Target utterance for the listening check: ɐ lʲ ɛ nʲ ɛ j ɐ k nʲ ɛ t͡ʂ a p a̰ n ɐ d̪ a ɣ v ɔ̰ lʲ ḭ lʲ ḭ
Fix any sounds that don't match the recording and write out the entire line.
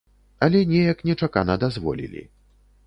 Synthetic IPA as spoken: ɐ lʲ ɛ nʲ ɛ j ɐ k nʲ ɛ t͡ʂ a k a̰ n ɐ d̪ a z v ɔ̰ lʲ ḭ lʲ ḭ